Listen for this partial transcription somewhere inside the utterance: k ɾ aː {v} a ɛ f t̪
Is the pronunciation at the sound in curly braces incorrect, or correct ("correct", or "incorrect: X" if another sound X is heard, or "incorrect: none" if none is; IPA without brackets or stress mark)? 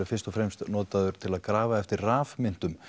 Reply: correct